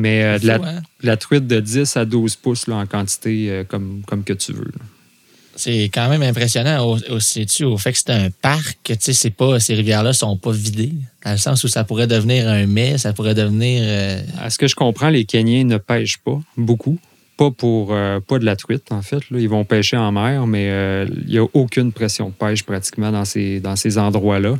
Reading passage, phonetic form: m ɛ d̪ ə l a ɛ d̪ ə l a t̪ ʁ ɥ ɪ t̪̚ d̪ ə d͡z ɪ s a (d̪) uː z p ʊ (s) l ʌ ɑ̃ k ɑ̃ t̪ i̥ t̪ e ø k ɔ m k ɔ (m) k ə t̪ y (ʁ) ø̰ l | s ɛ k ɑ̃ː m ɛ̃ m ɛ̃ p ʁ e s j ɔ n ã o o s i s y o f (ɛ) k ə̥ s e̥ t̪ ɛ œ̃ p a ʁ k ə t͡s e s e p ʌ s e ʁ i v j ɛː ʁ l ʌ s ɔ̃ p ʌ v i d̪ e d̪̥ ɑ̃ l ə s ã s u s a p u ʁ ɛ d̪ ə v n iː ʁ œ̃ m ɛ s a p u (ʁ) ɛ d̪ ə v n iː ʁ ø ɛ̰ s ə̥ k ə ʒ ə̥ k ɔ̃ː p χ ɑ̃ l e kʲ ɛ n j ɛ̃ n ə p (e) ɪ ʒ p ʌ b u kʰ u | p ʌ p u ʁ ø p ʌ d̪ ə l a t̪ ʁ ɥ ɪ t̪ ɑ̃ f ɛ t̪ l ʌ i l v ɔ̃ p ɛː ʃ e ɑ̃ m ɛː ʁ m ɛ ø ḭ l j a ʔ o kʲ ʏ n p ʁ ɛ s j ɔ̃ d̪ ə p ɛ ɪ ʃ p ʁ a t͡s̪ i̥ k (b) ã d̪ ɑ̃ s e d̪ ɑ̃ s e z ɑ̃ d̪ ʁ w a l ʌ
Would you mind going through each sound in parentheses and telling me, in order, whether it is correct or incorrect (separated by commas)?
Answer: correct, correct, correct, incorrect, correct, correct, incorrect, incorrect